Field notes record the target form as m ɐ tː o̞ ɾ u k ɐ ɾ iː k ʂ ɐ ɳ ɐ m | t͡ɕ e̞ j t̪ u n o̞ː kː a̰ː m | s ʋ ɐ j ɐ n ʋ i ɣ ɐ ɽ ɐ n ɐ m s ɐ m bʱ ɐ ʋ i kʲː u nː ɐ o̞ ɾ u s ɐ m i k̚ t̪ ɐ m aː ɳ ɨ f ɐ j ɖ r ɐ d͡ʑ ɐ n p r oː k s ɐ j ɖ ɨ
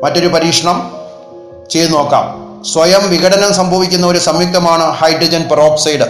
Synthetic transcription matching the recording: m ɐ tː o̞ ɾ u p ɐ ɾ iː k ʂ ɐ ɳ ɐ m | t͡ɕ e̞ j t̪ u n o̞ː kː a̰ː m | s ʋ ɐ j ɐ m ʋ i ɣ ɐ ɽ ɐ n ɐ m s ɐ m bʱ ɐ ʋ i kʲː u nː ɐ o̞ ɾ u s ɐ m i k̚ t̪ ɐ m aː ɳ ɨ h ɐ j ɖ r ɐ d͡ʑ ɐ n p r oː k s ɐ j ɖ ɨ